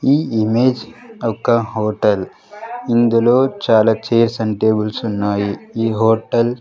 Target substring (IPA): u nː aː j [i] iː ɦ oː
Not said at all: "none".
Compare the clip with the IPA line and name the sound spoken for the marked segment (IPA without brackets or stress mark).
i